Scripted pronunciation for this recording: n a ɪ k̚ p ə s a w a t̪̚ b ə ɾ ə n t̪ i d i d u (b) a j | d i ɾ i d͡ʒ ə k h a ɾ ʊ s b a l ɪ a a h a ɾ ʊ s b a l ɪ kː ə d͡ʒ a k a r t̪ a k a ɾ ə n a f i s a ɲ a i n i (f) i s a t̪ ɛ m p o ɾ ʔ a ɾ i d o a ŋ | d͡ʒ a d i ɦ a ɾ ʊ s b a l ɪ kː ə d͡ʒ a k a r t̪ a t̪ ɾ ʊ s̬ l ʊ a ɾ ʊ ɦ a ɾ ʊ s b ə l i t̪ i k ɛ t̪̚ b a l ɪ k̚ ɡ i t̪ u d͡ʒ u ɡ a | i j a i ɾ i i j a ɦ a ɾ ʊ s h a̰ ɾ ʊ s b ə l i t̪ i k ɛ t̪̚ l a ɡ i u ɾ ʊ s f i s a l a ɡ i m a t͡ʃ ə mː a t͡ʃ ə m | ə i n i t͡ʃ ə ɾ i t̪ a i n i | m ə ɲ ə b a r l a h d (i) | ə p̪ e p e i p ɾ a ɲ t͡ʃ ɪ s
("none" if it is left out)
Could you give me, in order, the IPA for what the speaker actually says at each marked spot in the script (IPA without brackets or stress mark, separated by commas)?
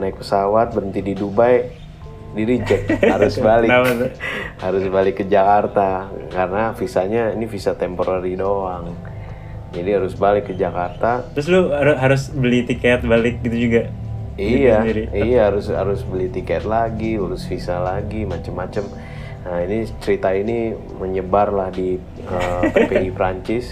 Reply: b, f, i